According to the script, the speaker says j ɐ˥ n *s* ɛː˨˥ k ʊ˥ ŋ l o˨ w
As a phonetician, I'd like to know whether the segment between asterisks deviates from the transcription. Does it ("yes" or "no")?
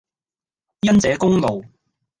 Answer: yes